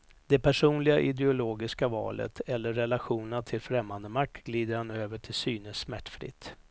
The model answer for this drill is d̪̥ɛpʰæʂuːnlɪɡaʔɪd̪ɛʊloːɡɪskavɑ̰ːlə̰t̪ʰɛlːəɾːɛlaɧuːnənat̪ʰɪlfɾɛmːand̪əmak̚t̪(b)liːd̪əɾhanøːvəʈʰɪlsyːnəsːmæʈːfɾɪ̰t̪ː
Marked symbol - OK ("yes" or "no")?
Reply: no